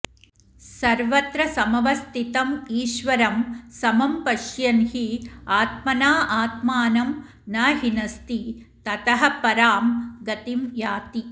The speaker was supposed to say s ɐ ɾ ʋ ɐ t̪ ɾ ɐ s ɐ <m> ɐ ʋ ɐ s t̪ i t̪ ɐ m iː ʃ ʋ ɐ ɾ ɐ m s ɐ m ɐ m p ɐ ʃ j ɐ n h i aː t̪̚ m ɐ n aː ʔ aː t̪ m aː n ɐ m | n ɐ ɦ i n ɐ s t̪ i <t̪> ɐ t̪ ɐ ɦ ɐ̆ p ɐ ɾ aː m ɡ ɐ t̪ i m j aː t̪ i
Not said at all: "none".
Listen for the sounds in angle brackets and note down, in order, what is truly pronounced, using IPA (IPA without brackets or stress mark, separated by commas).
m, t̪